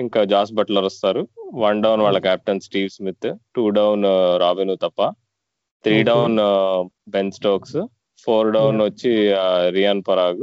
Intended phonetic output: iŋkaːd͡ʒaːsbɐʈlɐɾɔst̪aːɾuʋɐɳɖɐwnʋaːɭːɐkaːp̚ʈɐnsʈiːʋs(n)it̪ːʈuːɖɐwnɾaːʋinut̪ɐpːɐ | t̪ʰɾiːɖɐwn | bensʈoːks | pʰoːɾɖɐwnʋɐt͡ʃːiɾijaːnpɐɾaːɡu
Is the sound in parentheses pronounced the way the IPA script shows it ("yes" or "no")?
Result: no